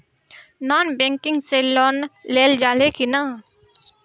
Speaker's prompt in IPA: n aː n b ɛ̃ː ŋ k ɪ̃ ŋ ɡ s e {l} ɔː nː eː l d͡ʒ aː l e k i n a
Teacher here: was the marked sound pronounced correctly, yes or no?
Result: yes